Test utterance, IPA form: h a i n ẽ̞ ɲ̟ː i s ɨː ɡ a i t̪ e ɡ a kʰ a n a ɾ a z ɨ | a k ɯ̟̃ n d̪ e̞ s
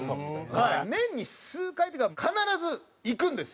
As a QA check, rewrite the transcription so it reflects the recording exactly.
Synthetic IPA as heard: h a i n ẽ̞ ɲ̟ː i s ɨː k a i t̪ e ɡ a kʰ a n a ɾ a z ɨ | i k ɯ̟̃ n d̪ e̞ s

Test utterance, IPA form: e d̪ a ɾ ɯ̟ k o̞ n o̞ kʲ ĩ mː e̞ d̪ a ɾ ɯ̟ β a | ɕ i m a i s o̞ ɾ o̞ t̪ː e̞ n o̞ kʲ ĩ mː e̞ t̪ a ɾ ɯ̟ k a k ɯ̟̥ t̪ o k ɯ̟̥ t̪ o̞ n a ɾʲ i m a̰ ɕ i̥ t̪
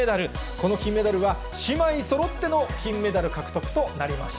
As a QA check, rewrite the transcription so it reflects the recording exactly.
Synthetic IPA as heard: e d̪ a ɾ ɯ̟ k o̞ n o̞ kʲ ĩ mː e̞ d̪ a ɾ ɯ̟ β a | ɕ i m a i s o̞ ɾ o̞ t̪ː e̞ n o̞ kʲ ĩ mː e̞ d̪ a ɾ ɯ̟ k a k ɯ̟̥ t̪ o k ɯ̟̥ t̪ o̞ n a ɾʲ i m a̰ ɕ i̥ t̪

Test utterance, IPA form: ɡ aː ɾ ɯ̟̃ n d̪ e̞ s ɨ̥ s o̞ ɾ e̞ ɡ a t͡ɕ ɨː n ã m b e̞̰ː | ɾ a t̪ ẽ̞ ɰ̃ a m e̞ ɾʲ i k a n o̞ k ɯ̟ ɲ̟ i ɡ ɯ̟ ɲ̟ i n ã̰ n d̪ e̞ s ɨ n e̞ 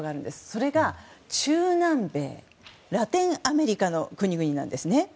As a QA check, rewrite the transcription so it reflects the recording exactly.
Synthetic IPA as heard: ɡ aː ɾ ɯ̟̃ n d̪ e̞ s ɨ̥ s o̞ ɾ e̞ ɡ a t͡ɕ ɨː n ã m b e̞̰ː | ɾ a t̪ ẽ̞ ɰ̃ a m e̞ ɾʲ i k a n o̞ k ɯ̟ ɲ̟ i ɡ ɯ̟ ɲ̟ i n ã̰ n d̪ e̞ s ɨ n e̞

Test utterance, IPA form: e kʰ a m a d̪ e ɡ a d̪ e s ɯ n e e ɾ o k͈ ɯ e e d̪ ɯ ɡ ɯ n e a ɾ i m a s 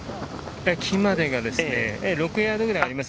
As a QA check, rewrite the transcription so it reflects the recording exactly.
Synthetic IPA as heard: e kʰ i m a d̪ e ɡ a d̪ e s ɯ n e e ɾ o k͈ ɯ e a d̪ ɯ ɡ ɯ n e a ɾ i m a s

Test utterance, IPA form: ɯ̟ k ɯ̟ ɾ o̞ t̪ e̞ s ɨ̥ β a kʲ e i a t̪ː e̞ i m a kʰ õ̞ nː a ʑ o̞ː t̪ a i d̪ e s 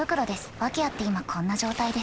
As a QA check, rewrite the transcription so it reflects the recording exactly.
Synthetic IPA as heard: ɯ̟ k ɯ̟ ɾ o̞ d̪ e̞ s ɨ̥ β a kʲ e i a t̪ː e̞ i m a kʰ õ̞ nː a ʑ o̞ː t̪ a i d̪ e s

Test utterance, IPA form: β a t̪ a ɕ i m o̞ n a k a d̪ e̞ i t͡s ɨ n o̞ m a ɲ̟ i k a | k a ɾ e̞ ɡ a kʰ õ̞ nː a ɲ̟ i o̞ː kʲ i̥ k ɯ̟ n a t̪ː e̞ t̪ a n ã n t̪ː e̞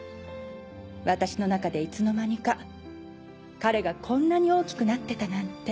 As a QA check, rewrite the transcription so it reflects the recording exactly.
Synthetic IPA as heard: β a t̪ a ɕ i n o̞ n a k a d̪ e̞ i t͡s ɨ n o̞ m a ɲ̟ i k a | k a ɾ e̞ ɡ a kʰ õ̞ nː a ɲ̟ i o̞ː kʲ i̥ k ɯ̟ n a t̪ː e̞ t̪ a n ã n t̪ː e̞

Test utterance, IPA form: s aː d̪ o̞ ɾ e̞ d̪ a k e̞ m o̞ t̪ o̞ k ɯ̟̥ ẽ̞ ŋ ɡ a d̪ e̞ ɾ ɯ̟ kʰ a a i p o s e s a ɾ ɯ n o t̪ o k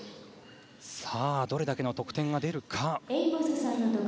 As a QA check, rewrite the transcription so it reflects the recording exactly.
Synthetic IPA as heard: s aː d̪ o̞ ɾ e̞ d̪ a k e̞ n o̞ t̪ o̞ k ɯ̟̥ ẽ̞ ŋ ɡ a d̪ e̞ ɾ ɯ̟ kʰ a e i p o s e s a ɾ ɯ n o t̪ o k

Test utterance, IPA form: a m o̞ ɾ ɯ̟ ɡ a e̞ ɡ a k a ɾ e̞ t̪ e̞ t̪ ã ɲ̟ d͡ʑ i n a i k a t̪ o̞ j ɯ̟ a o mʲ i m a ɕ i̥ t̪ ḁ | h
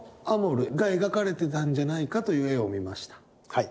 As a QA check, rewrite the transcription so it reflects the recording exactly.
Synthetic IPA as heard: a m o̞ ɾ ɯ̟ ɡ a e̞ ɡ a k a ɾ e̞ t̪ e̞ t̪ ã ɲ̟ d͡ʑ a n a i k a t̪ o̞ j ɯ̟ e o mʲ i m a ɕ i̥ t̪ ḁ | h

